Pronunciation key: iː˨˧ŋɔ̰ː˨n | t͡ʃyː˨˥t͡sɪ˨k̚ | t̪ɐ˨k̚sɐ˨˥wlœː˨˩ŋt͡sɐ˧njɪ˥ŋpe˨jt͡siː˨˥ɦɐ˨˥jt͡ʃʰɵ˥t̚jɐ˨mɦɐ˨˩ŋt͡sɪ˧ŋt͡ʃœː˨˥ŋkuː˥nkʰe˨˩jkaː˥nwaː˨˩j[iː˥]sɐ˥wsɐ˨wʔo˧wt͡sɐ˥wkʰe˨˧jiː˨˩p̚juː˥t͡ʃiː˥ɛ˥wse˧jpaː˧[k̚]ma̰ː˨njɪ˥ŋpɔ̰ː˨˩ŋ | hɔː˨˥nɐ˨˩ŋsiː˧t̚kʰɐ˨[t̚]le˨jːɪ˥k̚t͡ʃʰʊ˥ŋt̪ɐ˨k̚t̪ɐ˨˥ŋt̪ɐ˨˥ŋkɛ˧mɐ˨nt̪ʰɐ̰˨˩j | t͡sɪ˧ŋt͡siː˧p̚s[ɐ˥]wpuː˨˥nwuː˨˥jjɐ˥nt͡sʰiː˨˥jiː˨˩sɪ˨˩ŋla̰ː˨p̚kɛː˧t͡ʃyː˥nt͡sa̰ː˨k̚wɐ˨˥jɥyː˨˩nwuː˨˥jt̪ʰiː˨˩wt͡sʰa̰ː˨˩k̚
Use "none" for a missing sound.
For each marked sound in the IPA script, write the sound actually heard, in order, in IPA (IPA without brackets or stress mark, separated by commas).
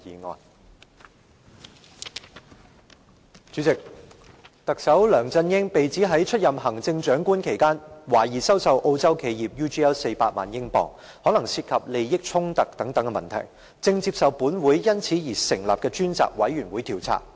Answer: iː˨˩, t̚, p̚, ɐ˨